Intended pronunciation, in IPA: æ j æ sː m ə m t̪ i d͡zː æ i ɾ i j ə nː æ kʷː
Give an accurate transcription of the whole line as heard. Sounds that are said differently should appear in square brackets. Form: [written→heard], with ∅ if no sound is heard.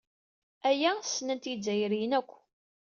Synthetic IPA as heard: æ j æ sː [m→n] ə [m→n] t̪ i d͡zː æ [i→j] ɾ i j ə [nː→n] æ kʷː